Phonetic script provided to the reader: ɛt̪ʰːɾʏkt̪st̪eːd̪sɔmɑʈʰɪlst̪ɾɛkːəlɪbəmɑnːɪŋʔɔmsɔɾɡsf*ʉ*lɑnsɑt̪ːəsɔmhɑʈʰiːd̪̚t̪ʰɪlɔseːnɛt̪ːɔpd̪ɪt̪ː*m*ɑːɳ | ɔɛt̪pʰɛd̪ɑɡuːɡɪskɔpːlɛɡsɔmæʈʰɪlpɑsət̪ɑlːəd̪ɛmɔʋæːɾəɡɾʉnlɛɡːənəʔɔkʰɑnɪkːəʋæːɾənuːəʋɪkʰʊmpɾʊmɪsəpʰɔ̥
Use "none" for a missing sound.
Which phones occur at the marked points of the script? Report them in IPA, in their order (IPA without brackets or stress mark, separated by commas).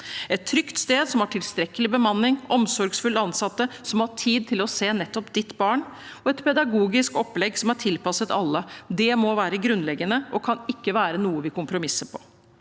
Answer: ʉ, b